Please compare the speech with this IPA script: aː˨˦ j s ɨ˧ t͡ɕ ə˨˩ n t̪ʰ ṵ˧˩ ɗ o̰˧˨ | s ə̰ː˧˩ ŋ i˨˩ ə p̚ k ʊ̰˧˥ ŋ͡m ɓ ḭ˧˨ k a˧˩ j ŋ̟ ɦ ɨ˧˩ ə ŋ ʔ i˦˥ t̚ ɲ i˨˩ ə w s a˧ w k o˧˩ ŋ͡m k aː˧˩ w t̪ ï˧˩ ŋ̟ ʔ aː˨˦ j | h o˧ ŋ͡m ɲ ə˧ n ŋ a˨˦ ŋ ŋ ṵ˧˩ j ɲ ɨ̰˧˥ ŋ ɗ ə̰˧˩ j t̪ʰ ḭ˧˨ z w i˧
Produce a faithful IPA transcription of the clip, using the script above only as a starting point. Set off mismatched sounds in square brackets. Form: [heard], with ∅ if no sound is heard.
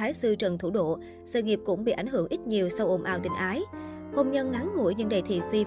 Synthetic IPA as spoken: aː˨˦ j s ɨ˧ t͡ɕ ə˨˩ n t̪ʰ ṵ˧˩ ɗ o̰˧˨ | s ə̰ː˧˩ ŋ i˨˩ ə p̚ k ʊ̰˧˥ ŋ͡m ɓ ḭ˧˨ [ʔ] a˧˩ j ŋ̟ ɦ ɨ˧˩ ə ŋ ʔ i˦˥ t̚ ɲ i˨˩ ə w s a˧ w [ʔ] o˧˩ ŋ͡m [ʔ] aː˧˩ w t̪ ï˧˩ ŋ̟ ʔ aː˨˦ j | h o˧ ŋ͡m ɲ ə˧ n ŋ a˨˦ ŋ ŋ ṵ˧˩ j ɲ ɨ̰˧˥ ŋ ɗ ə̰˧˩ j t̪ʰ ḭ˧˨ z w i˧